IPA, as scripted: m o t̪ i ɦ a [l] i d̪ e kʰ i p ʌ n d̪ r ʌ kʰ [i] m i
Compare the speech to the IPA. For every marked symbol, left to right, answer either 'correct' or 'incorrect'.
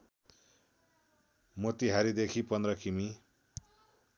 incorrect: ɾ, correct

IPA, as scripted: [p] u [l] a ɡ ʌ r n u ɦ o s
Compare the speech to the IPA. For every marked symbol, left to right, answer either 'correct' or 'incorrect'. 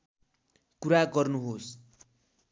incorrect: k, incorrect: ɾ

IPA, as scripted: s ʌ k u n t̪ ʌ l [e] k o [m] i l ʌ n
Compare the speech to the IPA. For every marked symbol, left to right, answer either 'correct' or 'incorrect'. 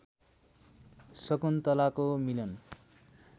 incorrect: a, correct

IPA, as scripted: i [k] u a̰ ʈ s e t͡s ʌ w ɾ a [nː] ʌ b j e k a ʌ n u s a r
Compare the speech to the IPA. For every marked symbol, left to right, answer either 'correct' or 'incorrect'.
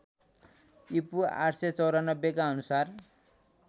incorrect: p, incorrect: n

